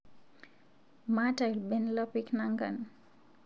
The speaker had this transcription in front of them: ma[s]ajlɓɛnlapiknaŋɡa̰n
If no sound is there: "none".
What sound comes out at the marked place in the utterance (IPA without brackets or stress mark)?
t